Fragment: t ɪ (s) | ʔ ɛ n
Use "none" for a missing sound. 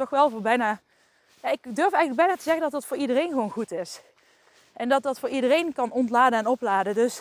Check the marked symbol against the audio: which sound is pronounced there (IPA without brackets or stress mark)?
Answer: s